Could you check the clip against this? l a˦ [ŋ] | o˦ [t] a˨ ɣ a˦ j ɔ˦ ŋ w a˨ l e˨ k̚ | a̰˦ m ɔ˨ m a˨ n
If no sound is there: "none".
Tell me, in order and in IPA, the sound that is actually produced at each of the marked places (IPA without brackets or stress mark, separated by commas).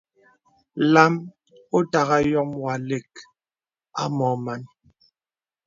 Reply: m, t